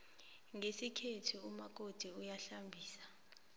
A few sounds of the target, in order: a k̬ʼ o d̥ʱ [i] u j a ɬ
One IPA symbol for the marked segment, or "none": i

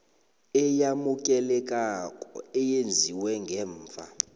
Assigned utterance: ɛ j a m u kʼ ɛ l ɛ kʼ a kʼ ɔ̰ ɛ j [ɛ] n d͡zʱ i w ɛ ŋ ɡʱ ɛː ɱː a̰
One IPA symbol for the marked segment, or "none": e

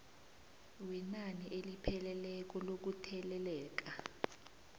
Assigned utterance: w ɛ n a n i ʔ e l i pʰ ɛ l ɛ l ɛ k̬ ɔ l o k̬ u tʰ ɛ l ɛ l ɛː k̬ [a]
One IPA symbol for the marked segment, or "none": a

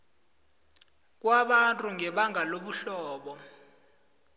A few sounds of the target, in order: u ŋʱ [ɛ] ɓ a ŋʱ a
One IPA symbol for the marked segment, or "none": ɛ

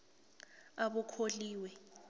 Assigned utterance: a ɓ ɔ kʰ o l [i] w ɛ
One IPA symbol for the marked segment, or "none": iː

